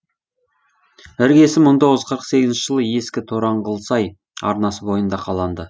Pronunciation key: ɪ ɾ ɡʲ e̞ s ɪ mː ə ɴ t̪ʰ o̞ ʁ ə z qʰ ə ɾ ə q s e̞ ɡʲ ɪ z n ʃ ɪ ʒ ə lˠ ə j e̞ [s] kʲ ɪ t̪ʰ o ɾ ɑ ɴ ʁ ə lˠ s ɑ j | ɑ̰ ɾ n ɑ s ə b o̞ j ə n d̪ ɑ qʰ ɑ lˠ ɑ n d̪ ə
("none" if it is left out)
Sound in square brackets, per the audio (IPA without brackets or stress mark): s